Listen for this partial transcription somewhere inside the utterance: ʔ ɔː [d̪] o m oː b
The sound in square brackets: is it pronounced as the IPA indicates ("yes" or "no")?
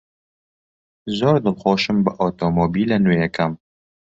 no